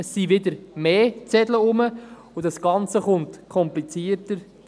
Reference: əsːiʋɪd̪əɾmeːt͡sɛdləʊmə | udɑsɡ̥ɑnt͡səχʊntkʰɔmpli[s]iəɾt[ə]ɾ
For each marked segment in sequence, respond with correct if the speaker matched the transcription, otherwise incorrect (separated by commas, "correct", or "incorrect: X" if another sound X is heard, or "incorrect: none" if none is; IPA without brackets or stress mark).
incorrect: t͡s, correct